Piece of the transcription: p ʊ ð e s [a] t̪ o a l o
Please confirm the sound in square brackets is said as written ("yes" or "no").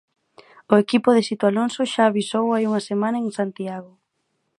no